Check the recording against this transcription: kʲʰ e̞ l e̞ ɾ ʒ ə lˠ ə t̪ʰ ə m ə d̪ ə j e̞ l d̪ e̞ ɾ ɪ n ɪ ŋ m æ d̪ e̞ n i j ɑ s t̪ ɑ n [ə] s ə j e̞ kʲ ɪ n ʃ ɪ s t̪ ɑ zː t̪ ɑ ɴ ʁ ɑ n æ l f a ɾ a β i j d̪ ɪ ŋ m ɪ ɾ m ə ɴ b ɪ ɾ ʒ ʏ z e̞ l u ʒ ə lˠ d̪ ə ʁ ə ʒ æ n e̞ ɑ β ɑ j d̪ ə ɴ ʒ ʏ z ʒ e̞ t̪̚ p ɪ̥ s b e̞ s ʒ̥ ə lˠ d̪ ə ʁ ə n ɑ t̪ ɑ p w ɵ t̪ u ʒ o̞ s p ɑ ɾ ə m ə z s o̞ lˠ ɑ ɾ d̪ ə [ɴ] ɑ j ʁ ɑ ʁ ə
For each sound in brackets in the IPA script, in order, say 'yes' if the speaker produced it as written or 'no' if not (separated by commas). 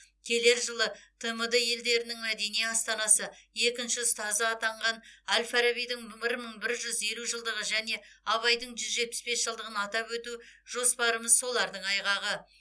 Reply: no, yes